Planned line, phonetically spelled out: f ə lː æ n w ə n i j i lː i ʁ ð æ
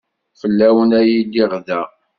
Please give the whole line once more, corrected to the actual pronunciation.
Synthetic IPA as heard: f ə lː æ w ə n æ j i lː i ʁ ð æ

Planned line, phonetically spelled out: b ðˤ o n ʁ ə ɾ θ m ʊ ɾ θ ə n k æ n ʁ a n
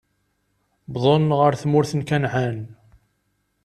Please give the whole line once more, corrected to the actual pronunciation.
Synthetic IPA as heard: b ðˤ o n ʁ ə ɾ θ m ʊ ɾ θ ə n k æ n ʕ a n

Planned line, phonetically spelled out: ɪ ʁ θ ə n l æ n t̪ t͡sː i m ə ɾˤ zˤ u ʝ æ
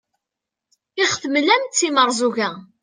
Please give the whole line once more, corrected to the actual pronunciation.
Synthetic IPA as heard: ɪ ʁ θ ə m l æ m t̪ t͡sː i m ə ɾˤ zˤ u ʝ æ

